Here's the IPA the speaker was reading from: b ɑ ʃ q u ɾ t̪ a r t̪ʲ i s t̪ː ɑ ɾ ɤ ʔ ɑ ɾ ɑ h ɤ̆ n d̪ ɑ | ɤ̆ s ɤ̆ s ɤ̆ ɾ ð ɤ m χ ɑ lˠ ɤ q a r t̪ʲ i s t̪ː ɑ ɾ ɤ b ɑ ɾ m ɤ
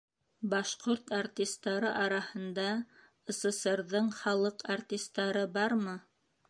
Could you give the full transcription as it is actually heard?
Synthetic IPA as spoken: b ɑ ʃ q o ɾ t̪ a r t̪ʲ i s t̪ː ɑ ɾ ɤ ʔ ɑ ɾ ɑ h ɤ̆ n d̪ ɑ | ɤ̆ s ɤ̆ s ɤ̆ ɾ ð ɤ ɴ χ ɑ lˠ ɤ q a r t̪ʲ i s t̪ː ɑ ɾ ɤ b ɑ ɾ m ɤ